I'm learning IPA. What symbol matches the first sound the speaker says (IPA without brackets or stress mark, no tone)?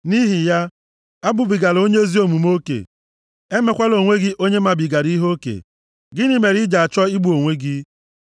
n